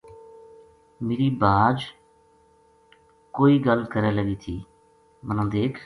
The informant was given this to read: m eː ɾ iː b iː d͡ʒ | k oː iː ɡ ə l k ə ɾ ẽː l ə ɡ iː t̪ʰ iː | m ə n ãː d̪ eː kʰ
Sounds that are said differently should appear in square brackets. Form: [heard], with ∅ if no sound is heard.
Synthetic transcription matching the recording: m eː ɾ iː b [aː] d͡ʒ | k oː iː ɡ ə l k ə ɾ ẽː l ə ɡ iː t̪ʰ iː | m ə n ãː d̪ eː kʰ